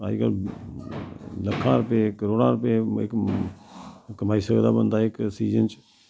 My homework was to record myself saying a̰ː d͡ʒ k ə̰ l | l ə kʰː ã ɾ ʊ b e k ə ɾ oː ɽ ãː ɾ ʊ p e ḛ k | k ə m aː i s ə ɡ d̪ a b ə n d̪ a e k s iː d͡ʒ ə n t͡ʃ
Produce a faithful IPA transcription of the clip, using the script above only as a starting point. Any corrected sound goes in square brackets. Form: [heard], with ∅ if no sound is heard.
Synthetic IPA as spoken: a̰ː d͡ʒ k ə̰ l | l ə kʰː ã ɾ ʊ [p] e k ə ɾ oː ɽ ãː ɾ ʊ p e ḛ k | k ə m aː i s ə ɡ d̪ a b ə n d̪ a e k s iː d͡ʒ ə n t͡ʃ

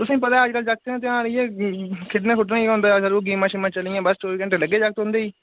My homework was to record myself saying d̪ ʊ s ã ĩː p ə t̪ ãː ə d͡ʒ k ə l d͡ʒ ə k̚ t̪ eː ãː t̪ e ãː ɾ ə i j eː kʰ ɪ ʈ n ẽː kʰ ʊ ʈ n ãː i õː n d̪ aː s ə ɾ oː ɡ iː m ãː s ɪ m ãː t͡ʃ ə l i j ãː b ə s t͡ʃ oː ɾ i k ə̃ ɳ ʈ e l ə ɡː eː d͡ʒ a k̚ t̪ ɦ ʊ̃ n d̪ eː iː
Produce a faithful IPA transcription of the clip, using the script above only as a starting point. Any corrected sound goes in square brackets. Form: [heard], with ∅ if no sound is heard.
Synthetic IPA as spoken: [t̪] ʊ s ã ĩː p ə t̪ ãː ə d͡ʒ k ə l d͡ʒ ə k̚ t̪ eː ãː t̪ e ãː ɾ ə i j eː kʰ ɪ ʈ n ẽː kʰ ʊ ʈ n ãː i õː n d̪ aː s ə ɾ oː ɡ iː m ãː [ʃ] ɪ m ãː t͡ʃ ə l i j ãː b ə s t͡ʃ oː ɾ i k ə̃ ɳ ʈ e l ə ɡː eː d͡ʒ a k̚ t̪ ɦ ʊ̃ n d̪ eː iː

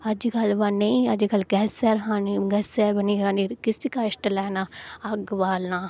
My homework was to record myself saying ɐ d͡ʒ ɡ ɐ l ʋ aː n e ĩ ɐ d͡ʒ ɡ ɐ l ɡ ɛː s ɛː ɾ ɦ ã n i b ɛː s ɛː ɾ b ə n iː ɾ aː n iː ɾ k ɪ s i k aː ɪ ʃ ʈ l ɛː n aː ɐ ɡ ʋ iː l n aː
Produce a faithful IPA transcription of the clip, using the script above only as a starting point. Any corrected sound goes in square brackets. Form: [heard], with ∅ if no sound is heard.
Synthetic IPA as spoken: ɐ d͡ʒ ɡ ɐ l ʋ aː n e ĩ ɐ d͡ʒ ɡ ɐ l ɡ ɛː s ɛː ɾ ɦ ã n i [ɡ] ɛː s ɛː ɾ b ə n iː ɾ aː n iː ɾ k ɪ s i k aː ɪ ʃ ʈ l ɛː n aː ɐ ɡ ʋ [aː] l n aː

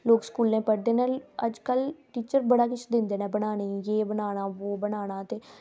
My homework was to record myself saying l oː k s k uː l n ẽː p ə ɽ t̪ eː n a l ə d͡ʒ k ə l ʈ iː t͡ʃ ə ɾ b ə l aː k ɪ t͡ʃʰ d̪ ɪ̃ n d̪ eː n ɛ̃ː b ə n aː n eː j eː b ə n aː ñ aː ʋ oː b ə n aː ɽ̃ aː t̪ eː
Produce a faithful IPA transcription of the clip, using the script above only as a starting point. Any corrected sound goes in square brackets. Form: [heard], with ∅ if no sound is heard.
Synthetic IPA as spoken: l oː k s k uː l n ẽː p ə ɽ [d̪] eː n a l ə d͡ʒ k ə l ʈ iː t͡ʃ ə ɾ b ə [ɽ] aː k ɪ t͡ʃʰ d̪ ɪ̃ n d̪ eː n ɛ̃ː b ə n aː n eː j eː b ə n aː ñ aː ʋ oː b ə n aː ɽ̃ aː t̪ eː

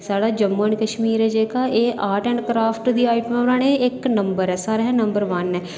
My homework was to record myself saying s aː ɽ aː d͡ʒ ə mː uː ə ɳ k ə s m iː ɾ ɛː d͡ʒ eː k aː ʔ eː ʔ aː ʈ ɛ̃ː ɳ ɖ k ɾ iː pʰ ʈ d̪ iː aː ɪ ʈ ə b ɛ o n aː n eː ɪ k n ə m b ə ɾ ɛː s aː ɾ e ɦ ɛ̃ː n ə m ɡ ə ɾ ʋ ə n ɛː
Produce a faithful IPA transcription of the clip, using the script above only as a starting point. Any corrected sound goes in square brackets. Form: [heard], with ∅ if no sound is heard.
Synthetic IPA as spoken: s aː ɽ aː d͡ʒ ə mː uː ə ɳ k ə [ʃ] m iː ɾ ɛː d͡ʒ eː k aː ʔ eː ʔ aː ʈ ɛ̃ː ɳ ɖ k ɾ [aː] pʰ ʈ d̪ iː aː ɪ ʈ ə [m] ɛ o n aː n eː ɪ k n ə m b ə ɾ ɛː s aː ɾ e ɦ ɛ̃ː n ə m [b] ə ɾ ʋ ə n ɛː

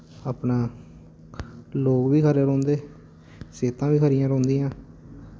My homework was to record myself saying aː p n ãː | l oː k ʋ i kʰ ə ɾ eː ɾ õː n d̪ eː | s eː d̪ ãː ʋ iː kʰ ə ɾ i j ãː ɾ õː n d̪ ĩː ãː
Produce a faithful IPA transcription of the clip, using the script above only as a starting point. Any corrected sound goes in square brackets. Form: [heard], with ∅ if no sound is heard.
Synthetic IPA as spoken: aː p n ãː | l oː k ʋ [iː] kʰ ə ɾ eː ɾ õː n d̪ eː | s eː [t̪] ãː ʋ iː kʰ ə ɾ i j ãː ɾ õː n d̪ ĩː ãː

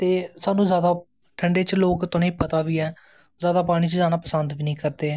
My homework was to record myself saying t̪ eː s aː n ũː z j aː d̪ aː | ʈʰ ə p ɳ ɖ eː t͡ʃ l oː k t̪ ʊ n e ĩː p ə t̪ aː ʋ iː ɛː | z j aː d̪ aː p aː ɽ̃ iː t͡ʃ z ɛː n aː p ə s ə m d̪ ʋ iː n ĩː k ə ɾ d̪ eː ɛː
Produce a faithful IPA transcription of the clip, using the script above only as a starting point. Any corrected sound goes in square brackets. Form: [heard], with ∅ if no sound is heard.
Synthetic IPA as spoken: t̪ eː s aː n ũː z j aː d̪ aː | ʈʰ ə [∅] ɳ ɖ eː t͡ʃ l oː k t̪ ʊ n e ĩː p ə t̪ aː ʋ iː ɛː | z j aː d̪ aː p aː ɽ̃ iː t͡ʃ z [aː] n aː p ə s ə [n] d̪ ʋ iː n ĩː k ə ɾ d̪ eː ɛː

